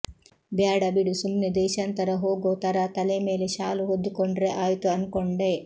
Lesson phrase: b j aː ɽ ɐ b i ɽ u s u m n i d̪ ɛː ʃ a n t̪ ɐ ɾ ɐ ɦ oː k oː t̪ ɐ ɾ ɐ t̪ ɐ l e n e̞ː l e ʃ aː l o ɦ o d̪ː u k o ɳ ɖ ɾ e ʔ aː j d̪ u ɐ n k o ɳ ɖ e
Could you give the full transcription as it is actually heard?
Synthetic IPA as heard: b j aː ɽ ɐ b i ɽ u s u m n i d̪ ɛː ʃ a n t̪ ɐ ɾ ɐ ɦ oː ɡ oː t̪ ɐ ɾ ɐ t̪ ɐ l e m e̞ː l e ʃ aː l u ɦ o d̪ː u k o ɳ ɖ ɾ e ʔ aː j t̪ u ɐ n k o ɳ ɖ e